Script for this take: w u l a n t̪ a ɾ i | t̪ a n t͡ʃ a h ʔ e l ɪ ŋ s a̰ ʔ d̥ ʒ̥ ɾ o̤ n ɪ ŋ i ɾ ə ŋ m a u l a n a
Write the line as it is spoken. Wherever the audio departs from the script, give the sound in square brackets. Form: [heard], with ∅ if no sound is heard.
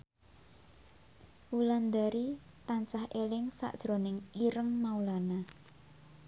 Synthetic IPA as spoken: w u l a n [d̪] a ɾ i | t̪ a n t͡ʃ a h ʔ e l ɪ ŋ s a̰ ʔ d̥ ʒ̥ ɾ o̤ n ɪ ŋ i ɾ ə ŋ m a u l a n a